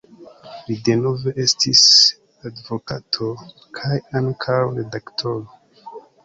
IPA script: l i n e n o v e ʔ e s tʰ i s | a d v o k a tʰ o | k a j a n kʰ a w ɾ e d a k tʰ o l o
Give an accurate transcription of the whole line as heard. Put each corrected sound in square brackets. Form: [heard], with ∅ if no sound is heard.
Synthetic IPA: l i [d] e n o v e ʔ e s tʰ i s | a d v o k a tʰ o | [kʰ] a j a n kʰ a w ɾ e d a k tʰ o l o